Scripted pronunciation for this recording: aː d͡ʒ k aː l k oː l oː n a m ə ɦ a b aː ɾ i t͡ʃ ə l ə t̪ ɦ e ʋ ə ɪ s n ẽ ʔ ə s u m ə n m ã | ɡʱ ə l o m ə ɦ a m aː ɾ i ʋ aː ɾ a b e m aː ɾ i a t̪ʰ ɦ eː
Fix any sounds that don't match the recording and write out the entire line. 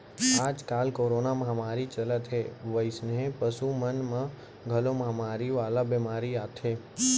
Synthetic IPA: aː d͡ʒ k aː l k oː ɾ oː n a m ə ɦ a m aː ɾ i t͡ʃ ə l ə t̪ ɦ e ʋ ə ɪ s n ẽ p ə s u m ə n m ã | ɡʱ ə l o m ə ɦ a m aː ɾ i ʋ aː l a b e m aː ɾ i a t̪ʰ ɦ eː